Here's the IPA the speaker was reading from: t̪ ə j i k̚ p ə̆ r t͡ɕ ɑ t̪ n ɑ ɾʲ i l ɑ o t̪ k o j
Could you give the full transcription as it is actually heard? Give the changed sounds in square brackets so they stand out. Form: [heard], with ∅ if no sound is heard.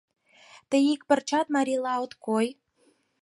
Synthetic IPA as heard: t̪ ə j i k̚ p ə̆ r t͡ɕ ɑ t̪ [m] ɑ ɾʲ i l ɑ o t̪ k o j

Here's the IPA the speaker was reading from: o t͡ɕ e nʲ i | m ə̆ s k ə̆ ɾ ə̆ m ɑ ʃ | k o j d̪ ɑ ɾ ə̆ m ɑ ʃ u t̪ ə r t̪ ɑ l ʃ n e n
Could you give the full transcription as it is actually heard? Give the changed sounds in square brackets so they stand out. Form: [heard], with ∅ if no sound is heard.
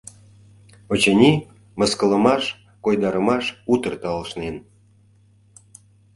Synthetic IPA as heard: o t͡ɕ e nʲ i | m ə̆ s k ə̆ [l] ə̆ m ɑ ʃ | k o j d̪ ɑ ɾ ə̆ m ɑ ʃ u t̪ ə r t̪ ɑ l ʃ n e n

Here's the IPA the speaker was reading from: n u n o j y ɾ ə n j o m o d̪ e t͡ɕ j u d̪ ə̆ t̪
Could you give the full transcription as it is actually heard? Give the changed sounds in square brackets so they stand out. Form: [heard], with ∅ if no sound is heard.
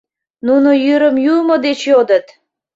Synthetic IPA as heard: n u n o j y ɾ ə [m] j [u] m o d̪ e t͡ɕ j [o] d̪ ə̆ t̪

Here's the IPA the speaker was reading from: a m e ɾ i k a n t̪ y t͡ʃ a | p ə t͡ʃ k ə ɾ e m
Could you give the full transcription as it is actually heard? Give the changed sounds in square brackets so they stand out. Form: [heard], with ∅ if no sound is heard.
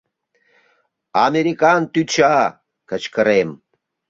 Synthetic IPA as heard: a m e ɾ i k a n t̪ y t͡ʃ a | [k] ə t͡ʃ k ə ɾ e m

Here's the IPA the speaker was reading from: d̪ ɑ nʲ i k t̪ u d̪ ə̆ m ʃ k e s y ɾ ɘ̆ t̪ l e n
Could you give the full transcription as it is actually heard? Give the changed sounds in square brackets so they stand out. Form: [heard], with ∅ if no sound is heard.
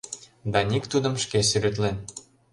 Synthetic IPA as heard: d̪ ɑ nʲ i k t̪ u d̪ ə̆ m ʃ k e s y ɾ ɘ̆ t̪ l e n

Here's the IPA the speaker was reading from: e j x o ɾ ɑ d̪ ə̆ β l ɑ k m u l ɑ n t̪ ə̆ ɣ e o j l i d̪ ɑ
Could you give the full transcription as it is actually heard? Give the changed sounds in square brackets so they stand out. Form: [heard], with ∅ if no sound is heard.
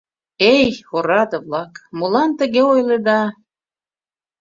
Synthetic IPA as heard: e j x o ɾ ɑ d̪ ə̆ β l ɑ k m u l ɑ n t̪ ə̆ ɣ e o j l [e] d̪ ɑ

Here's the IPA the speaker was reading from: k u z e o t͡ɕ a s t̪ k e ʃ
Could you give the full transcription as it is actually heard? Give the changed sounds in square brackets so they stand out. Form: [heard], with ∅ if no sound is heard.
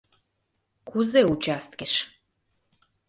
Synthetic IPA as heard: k u z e [u] t͡ɕ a s t̪ k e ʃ

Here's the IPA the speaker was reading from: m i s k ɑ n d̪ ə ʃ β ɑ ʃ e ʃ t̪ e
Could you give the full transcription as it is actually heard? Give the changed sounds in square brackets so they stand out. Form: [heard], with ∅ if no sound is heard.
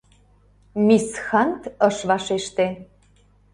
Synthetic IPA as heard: m i s [x] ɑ n [t̪] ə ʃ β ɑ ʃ e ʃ t̪ e

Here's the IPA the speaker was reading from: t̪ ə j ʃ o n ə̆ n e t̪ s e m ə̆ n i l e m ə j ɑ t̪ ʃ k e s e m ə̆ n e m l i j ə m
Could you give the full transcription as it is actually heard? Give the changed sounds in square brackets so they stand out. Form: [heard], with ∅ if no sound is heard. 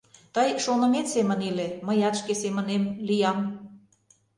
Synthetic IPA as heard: t̪ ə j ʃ o n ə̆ [m] e t̪ s e m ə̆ n i l e m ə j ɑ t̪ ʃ k e s e m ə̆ n e m l i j [ɑ] m

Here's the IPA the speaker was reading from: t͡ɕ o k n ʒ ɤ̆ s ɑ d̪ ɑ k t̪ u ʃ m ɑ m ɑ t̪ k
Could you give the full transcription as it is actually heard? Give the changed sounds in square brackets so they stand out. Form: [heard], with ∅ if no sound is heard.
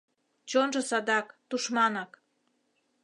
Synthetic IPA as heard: t͡ɕ o [∅] n ʒ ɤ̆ s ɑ d̪ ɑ k t̪ u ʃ m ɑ [n] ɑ [∅] k

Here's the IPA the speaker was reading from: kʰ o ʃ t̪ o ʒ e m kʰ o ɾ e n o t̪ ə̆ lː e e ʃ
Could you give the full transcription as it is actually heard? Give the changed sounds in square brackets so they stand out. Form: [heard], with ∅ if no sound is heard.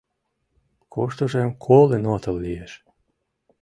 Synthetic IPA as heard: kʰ o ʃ t̪ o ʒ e m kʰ o [l] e n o t̪ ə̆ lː [i] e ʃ

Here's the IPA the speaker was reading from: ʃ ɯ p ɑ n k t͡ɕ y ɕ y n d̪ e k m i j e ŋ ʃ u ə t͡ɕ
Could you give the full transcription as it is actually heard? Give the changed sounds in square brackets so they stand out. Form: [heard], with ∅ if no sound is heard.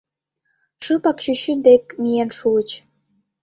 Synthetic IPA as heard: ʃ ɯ p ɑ [∅] k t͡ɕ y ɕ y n d̪ e k m i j e [n] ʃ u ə t͡ɕ

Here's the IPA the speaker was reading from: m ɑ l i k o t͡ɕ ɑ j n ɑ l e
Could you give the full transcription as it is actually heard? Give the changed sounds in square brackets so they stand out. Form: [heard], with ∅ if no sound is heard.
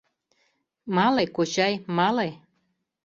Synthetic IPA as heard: m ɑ l [e] k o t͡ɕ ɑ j [m] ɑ l e

